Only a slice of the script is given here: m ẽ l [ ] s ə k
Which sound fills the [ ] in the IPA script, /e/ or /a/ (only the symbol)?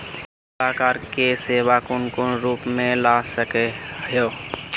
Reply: a